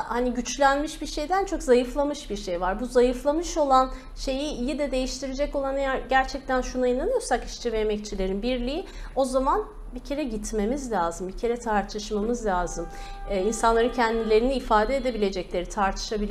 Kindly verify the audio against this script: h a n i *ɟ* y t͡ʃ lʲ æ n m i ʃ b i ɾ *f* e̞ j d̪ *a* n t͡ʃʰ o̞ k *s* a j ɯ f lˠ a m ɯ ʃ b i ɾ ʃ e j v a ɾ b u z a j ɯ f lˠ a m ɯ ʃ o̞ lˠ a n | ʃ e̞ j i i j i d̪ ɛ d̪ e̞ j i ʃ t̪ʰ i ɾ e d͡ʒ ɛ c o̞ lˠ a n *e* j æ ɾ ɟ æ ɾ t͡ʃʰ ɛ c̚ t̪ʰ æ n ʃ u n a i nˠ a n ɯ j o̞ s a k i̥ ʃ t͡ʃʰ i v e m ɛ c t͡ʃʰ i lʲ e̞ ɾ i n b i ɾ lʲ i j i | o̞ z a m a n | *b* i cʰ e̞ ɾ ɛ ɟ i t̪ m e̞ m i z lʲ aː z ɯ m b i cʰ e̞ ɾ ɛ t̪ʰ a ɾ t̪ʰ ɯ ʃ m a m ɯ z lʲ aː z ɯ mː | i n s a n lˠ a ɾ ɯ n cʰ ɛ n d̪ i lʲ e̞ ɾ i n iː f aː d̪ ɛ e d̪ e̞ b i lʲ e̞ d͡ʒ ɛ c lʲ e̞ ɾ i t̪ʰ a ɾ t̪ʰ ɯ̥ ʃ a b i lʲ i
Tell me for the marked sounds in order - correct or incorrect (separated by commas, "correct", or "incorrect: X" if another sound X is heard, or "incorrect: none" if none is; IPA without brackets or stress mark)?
correct, incorrect: ʃ, incorrect: æ, incorrect: z, incorrect: a, correct